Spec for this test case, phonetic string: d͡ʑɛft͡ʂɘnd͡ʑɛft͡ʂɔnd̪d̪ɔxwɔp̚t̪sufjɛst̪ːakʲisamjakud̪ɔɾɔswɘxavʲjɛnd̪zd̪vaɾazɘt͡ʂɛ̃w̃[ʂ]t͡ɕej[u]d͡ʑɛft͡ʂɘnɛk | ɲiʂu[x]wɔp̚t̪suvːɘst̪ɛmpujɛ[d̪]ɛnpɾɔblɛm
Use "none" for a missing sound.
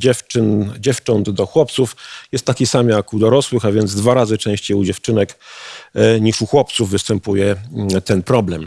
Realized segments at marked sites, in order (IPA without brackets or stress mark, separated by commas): ɕ, u, x, t̪